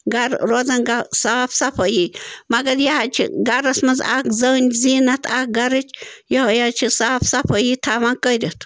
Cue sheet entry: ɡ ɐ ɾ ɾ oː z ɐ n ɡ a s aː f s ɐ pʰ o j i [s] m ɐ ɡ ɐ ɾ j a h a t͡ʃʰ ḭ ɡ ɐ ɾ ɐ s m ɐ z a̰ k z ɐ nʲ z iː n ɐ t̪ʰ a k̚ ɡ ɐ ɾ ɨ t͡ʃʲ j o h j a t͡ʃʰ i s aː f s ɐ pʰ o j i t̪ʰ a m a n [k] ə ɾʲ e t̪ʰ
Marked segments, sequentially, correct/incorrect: incorrect: none, correct

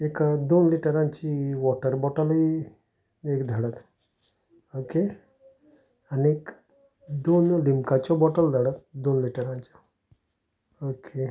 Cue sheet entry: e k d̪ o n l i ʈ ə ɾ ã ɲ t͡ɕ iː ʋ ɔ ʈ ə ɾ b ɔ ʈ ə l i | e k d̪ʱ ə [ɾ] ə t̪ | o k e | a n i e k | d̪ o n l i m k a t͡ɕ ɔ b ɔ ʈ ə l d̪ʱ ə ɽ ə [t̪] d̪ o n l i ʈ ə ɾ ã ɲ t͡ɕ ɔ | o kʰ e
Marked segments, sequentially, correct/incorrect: incorrect: ɽ, correct

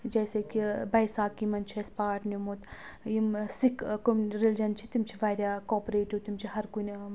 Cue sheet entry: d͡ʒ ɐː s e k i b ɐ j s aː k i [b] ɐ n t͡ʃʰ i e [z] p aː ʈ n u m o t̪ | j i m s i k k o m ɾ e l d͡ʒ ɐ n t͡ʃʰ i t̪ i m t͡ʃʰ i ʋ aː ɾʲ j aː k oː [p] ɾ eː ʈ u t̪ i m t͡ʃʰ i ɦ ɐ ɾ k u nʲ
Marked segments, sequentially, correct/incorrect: incorrect: m, incorrect: s, correct

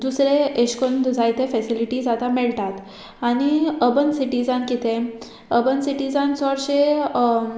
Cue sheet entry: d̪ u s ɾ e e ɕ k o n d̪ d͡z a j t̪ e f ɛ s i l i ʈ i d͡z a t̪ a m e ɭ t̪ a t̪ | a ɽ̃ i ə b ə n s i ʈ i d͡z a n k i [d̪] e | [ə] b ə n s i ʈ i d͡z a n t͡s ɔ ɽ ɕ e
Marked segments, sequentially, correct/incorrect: incorrect: t̪, correct

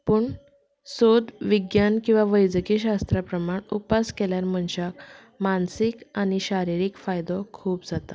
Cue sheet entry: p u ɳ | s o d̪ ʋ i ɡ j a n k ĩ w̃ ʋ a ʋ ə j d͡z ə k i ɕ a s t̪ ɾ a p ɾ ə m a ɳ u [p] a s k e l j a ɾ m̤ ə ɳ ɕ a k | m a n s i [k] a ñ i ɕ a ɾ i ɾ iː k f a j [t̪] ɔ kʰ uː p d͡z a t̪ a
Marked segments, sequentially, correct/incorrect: correct, correct, incorrect: d̪

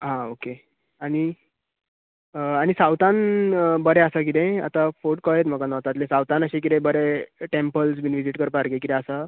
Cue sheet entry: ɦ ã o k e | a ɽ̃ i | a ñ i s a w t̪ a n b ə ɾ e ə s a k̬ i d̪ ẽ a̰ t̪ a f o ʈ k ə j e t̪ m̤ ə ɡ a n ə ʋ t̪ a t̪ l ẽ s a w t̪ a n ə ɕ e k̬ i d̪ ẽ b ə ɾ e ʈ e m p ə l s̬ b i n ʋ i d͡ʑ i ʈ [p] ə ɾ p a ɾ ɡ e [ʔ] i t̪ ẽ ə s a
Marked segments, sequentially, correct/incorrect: incorrect: k, incorrect: k

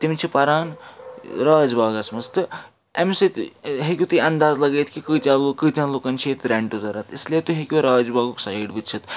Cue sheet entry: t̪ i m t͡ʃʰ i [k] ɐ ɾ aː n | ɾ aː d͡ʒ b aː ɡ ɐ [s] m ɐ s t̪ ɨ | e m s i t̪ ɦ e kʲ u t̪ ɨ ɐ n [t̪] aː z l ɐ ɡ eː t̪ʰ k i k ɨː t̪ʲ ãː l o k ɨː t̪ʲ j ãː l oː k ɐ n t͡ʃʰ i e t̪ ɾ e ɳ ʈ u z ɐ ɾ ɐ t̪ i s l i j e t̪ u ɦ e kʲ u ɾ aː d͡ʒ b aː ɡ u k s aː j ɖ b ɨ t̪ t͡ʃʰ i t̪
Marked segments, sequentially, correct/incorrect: incorrect: p, correct, incorrect: d̪

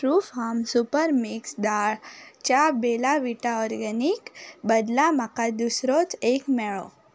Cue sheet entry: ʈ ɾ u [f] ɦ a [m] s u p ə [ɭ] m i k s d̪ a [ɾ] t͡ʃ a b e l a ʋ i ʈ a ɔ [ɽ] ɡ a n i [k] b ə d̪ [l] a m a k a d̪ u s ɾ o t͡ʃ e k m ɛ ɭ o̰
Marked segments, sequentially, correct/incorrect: correct, correct, incorrect: ɾ, incorrect: ɭ, incorrect: ɾ, correct, correct

